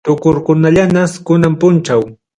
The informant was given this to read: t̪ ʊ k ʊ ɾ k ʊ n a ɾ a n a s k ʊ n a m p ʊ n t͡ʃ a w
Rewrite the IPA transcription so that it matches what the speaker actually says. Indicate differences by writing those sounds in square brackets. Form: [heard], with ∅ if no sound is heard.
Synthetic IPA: t̪ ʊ k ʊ ɾ k ʊ n a [ʎ] a n a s k ʊ n a m p ʊ n t͡ʃ a w